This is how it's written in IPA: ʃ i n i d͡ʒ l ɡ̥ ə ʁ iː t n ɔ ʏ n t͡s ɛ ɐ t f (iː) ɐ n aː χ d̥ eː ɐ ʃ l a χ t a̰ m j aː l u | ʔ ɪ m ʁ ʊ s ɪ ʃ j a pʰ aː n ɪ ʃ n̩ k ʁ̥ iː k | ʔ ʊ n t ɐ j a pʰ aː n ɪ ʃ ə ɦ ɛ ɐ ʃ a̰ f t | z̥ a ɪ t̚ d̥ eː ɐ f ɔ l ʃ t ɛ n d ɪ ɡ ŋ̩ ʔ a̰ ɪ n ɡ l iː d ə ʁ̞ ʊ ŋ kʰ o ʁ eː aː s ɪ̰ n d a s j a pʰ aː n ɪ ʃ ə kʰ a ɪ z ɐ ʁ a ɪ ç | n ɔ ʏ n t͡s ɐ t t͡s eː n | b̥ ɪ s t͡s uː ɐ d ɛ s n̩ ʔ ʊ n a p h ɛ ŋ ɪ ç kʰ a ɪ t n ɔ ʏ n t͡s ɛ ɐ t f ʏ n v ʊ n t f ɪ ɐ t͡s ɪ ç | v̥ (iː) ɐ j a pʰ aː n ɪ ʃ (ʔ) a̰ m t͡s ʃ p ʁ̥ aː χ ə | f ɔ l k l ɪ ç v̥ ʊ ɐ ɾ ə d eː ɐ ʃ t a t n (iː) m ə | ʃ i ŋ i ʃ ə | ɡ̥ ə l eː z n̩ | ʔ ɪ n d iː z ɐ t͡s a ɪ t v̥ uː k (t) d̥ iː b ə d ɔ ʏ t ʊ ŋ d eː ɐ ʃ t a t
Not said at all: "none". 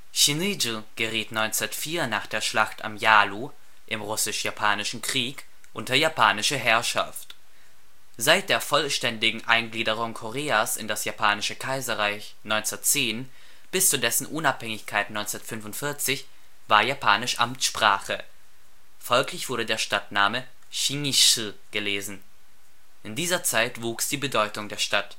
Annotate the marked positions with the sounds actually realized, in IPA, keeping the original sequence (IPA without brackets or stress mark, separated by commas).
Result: iː, aː, ʔ, aː, s